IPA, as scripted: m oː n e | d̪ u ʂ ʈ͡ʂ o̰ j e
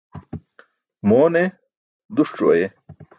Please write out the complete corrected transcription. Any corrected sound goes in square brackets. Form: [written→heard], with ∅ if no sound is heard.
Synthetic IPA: m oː n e | d̪ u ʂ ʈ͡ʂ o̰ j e